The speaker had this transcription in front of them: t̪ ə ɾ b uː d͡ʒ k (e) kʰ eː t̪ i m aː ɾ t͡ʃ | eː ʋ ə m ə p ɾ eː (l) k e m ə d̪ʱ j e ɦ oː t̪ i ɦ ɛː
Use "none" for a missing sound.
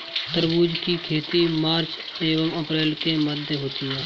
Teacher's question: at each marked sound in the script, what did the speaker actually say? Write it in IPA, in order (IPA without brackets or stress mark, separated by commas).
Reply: i, l